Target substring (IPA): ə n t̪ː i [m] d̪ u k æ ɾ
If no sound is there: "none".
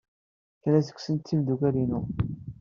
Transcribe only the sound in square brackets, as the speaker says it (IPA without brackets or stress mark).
m